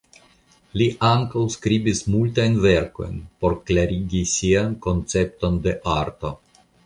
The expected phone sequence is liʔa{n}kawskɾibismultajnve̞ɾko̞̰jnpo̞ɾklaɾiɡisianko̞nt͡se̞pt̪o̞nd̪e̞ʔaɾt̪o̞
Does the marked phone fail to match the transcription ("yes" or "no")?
yes